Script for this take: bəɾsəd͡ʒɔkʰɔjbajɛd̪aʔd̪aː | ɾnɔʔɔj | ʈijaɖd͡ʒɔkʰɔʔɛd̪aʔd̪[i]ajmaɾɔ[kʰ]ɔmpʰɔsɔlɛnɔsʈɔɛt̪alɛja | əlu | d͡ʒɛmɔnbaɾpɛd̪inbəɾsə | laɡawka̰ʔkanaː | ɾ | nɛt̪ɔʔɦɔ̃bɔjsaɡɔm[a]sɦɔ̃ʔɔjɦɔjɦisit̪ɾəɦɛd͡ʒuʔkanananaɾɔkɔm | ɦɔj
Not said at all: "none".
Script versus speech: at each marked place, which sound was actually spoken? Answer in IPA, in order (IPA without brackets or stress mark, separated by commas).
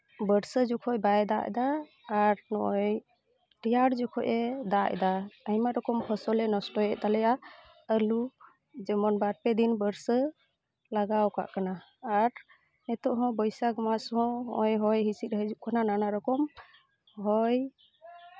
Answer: a, k, a